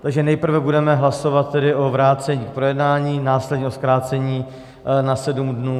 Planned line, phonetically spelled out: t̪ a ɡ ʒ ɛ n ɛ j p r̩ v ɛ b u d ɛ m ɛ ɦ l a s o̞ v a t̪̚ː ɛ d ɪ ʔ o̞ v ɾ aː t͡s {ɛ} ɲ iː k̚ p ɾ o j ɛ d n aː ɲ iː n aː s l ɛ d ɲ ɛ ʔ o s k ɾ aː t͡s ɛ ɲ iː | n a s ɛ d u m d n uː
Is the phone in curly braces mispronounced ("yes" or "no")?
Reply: no